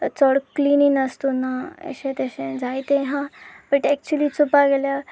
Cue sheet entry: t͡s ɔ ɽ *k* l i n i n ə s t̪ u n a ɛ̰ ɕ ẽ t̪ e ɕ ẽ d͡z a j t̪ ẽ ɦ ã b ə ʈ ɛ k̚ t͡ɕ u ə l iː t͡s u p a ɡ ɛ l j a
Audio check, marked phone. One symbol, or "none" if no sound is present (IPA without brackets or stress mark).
k